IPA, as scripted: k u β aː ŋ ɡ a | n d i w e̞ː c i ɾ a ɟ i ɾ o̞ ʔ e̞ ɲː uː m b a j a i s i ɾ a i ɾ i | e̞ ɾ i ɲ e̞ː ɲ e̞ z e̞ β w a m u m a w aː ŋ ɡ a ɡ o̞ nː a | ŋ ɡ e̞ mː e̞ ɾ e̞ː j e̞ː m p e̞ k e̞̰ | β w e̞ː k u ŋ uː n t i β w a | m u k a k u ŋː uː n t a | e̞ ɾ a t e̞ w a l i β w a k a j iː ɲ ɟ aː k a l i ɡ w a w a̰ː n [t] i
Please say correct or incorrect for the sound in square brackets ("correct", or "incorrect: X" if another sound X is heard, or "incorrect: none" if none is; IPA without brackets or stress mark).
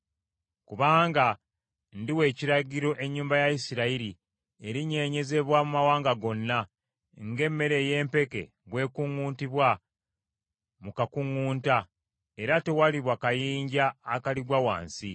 incorrect: s